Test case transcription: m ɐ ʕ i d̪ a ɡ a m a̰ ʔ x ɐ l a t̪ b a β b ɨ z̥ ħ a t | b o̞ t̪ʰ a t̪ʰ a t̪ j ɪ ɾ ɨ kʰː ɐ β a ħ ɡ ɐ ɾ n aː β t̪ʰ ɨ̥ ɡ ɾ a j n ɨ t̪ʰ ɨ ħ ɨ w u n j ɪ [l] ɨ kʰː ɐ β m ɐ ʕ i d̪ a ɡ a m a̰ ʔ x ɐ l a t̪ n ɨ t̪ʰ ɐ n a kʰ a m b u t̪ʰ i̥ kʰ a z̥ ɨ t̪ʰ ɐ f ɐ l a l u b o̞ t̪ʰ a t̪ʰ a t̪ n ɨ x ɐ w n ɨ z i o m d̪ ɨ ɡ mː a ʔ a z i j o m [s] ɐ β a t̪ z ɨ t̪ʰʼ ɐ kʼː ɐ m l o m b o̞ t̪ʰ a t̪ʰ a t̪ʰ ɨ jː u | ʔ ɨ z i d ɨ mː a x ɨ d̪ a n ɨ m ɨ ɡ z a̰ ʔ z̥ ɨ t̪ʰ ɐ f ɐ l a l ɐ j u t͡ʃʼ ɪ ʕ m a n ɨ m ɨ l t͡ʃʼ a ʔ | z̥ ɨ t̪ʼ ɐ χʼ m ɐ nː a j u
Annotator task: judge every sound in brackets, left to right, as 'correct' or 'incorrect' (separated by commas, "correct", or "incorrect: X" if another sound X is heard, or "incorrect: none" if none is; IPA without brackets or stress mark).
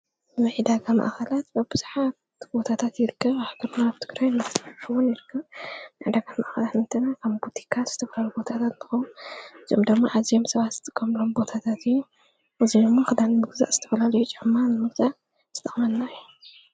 incorrect: ɾ, correct